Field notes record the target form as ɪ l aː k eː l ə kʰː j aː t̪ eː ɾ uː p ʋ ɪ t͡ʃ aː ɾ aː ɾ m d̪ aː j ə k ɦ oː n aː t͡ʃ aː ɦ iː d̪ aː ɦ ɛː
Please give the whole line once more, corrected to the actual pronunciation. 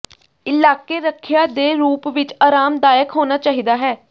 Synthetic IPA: ɪ l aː k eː ɾ ə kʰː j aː d̪ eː ɾ uː p ʋ ɪ t͡ʃ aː ɾ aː m d̪ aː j ə k ɦ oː n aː t͡ʃ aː ɦ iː d̪ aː ɦ ɛː

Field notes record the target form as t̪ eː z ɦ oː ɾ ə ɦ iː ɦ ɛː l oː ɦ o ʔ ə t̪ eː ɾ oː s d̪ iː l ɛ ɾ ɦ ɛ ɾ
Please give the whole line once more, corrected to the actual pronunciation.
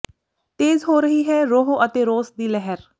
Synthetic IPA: t̪ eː z ɦ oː ɾ ə ɦ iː ɦ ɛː ɾ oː ɦ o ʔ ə t̪ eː ɾ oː s d̪ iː l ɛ ɦ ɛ ɾ

